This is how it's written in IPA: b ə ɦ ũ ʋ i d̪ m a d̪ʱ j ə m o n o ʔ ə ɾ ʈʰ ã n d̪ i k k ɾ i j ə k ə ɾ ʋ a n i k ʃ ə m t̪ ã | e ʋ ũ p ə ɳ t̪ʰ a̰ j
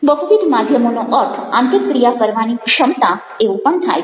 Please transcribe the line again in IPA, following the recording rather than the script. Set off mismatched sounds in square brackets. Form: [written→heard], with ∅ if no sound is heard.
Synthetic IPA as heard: b ə ɦ [ũ→u] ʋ i d̪ m a d̪ʱ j ə m o n o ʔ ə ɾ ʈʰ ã n [d̪→t̪] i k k ɾ i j [ə→a] k ə ɾ ʋ a n i k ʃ ə m t̪ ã | e ʋ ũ p ə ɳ t̪ʰ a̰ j